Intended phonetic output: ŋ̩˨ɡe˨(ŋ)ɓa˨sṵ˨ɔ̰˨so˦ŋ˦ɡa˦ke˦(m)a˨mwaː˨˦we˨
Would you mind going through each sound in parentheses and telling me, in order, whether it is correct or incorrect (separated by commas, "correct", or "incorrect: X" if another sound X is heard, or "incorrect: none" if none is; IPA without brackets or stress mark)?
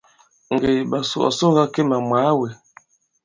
incorrect: none, correct